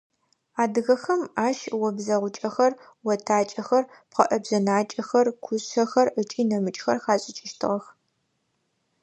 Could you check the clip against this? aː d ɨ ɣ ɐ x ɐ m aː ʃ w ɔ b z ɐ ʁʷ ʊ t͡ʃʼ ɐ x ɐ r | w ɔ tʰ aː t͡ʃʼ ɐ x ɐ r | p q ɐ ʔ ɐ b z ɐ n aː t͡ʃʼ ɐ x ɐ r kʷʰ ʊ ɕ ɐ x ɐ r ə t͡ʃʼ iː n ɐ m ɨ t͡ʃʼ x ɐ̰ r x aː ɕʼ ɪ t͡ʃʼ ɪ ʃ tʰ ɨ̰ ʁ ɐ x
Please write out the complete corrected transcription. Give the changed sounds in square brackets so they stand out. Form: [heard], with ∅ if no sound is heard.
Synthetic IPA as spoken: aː d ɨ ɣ ɐ x ɐ m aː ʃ w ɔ b z ɐ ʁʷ ʊ t͡ʃʼ ɐ x ɐ r | w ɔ tʰ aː t͡ʃʼ ɐ x ɐ r | p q ɐ ʔ ɐ b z ɐ n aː t͡ʃʼ ɐ x ɐ r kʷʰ ʊ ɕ ɐ x ɐ r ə t͡ʃʼ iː n ɐ m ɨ t͡ʃʼ x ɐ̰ r x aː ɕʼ ɪ t͡ʃʼ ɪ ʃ tʰ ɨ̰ ʁ ɐ x